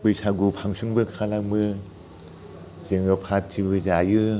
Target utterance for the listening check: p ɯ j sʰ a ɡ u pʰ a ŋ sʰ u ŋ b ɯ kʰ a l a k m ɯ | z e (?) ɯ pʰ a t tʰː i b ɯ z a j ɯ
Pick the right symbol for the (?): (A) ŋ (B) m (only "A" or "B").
A